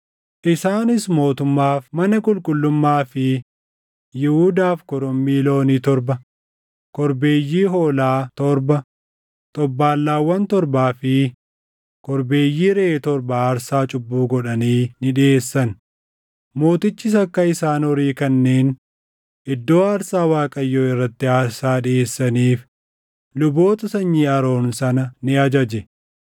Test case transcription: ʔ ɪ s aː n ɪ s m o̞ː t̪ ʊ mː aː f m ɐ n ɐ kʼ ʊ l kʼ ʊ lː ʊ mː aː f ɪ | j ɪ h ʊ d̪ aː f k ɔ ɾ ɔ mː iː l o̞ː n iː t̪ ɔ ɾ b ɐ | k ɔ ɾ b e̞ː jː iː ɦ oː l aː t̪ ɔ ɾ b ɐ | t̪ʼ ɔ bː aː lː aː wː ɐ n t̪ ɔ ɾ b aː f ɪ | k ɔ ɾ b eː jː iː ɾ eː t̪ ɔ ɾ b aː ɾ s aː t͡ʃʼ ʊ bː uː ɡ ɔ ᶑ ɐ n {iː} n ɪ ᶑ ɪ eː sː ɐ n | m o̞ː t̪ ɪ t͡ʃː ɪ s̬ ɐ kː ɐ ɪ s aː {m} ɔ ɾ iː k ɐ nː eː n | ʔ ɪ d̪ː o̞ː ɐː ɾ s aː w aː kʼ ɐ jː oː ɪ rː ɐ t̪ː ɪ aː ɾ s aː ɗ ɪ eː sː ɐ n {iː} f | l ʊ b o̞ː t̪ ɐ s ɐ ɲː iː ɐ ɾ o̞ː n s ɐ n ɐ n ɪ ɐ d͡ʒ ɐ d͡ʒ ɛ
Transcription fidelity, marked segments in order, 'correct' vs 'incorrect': correct, incorrect: n, correct

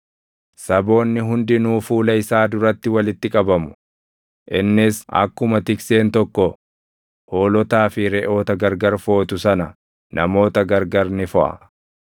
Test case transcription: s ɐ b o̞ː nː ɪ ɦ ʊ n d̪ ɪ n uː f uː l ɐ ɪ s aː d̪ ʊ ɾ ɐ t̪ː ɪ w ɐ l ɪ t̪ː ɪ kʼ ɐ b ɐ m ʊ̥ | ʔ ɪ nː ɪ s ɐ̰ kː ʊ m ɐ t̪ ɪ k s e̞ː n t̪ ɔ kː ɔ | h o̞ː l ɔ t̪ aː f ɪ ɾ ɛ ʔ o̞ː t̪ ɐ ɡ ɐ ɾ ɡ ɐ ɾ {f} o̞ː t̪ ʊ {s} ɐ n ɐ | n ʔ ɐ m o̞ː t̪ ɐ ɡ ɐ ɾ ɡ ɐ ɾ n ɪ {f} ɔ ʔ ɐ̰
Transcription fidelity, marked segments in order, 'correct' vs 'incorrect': correct, correct, correct

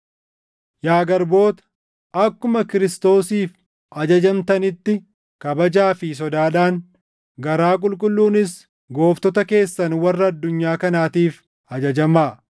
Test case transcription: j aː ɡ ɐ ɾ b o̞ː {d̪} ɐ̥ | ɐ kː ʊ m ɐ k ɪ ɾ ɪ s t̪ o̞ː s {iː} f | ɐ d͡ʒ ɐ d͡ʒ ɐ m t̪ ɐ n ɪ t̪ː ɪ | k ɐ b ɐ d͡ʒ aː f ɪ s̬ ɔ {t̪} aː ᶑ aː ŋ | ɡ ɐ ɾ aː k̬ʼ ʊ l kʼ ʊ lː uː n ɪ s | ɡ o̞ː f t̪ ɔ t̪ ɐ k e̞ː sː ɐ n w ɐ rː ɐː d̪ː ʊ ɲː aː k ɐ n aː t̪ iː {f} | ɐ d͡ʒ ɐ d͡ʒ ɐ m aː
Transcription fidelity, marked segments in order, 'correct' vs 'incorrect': incorrect: t̪, correct, incorrect: d̪, correct

